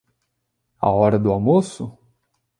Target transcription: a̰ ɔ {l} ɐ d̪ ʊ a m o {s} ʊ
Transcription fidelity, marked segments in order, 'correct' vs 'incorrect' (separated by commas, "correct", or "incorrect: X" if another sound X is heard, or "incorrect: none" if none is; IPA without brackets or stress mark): incorrect: ɾ, correct